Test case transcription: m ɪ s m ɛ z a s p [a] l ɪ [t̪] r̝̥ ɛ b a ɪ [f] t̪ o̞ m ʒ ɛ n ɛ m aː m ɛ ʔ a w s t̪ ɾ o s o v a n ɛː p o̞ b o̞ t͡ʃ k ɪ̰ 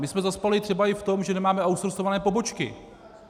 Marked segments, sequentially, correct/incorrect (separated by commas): correct, correct, correct